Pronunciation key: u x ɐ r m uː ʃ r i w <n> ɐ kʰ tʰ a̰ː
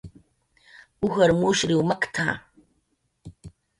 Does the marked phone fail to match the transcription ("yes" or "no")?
yes